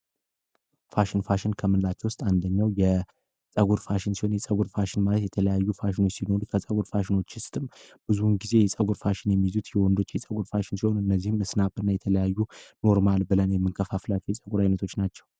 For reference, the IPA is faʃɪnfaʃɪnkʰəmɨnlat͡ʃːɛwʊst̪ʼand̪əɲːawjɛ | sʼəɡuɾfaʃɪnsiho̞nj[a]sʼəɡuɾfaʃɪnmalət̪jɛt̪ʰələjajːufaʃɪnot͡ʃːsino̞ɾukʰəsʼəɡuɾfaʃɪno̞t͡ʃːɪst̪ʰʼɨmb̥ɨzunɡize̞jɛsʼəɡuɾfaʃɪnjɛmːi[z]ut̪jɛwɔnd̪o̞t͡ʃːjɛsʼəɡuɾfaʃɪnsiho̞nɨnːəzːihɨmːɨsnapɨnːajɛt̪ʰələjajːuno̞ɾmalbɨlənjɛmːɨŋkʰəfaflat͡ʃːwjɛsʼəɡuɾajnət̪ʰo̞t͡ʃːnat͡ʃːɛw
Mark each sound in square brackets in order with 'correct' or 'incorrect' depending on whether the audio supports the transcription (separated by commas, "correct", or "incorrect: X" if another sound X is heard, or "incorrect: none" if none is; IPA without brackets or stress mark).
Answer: incorrect: ɛ, correct